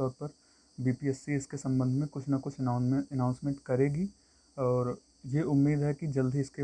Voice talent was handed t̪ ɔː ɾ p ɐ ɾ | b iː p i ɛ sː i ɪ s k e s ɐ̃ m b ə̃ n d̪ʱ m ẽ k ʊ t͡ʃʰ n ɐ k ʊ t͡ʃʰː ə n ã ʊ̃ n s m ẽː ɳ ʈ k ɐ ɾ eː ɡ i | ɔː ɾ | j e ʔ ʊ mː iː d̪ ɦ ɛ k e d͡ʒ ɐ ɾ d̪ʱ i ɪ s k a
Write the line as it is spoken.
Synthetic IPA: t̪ ɔː ɾ p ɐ ɾ | b iː p i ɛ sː i ɪ s k e s ɐ̃ m b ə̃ n d̪ʱ m ẽ k ʊ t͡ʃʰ n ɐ k ʊ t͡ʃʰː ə n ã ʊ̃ n s m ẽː ɳ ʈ k ɐ ɾ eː ɡ i | ɔː ɾ | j e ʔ ʊ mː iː d̪ ɦ ɛ k i d͡ʒ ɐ l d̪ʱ i ɪ s k e

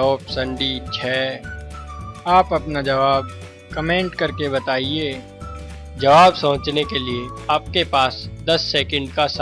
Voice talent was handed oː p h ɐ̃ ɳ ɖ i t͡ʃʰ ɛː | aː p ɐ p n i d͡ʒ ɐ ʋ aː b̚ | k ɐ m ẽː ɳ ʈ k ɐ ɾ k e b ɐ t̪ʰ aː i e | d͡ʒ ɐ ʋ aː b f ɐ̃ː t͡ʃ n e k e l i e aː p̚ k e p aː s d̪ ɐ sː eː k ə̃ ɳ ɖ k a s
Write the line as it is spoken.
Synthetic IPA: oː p s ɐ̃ ɳ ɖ i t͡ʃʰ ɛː | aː p ɐ p n a d͡ʒ ɐ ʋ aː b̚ | k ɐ m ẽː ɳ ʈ k ɐ ɾ k e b ɐ t̪ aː i e | d͡ʒ ɐ ʋ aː b s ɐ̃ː t͡ʃ n e k e l i e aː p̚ k e p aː s d̪ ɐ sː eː k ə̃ ɳ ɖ k a s

